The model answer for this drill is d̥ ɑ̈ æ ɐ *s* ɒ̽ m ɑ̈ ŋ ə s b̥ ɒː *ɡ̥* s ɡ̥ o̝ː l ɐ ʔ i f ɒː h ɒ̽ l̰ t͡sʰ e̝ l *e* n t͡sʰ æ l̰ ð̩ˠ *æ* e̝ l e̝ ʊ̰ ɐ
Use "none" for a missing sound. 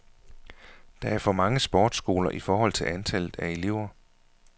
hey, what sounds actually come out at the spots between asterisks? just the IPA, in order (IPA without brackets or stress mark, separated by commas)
f, d̥, æ, æ